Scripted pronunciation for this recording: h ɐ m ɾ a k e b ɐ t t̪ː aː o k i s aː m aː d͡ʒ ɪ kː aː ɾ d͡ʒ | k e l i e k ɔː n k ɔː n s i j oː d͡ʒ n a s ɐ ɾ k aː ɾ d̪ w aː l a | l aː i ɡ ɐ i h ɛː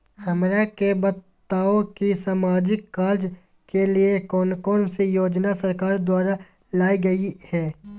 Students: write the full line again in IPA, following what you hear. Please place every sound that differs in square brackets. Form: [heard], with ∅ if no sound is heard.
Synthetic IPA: h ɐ m ɾ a k e b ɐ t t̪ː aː o k i s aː m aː d͡ʒ ɪ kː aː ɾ d͡ʒ | k e l i e k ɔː n k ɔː n s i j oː d͡ʒ n a s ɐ ɾ k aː ɾ d̪ w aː [ɾ] a | l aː i ɡ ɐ i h ɛː